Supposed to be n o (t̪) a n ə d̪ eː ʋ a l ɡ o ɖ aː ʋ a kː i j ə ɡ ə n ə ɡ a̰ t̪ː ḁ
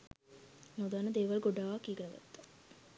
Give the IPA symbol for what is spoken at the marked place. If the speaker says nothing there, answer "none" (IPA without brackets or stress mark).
d̪